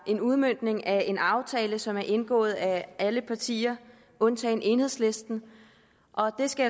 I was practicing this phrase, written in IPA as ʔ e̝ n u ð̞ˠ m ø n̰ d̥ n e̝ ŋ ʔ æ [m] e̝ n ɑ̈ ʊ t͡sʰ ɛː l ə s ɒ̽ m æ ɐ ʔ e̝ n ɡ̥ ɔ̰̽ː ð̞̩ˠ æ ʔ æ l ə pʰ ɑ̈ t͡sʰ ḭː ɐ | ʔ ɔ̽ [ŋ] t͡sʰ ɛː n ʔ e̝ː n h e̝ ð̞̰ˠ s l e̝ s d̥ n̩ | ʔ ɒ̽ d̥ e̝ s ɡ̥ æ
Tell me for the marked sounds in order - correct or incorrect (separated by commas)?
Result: incorrect, incorrect